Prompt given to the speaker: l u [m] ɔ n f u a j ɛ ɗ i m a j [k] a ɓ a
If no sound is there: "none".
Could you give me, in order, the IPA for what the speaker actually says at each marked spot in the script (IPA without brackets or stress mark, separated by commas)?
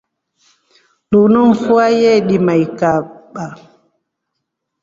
n, k